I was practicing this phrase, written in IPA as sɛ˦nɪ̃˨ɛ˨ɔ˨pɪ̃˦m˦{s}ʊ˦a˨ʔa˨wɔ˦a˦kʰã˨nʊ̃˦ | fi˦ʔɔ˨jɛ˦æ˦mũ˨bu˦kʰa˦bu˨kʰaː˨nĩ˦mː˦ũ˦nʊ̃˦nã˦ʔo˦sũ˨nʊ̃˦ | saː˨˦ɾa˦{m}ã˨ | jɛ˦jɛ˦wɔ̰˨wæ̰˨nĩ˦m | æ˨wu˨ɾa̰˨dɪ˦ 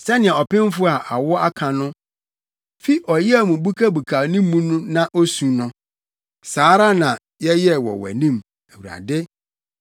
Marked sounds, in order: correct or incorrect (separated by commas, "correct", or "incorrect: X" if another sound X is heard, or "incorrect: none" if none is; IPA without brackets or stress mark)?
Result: incorrect: f, incorrect: n